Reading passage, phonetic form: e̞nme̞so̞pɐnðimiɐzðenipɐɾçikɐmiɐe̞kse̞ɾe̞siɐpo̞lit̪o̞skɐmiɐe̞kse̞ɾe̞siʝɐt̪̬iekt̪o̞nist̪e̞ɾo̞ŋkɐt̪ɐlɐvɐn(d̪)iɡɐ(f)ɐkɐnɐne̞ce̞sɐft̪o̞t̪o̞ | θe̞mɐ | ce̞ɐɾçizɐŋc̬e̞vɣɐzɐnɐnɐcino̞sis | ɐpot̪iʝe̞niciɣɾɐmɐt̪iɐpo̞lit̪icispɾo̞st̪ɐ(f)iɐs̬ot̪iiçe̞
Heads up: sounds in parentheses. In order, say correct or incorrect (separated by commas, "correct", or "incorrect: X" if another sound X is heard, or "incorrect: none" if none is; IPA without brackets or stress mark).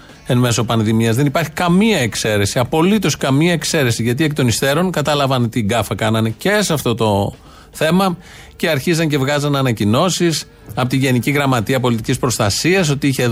incorrect: t̪, correct, incorrect: s